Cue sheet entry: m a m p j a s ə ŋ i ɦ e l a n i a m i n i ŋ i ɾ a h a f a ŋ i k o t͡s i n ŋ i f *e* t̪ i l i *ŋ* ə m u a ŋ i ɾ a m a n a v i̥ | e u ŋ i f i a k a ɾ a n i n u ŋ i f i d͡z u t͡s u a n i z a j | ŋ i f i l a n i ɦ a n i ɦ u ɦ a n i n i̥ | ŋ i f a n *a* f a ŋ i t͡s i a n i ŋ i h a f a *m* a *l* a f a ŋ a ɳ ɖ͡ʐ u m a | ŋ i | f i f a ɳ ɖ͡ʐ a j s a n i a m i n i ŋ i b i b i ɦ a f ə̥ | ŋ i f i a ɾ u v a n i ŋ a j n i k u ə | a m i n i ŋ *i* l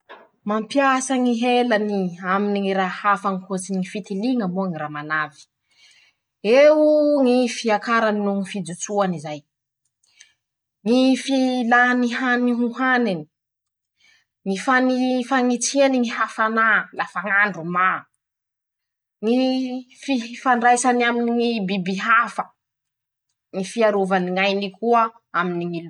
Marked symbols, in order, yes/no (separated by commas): no, yes, no, no, yes, yes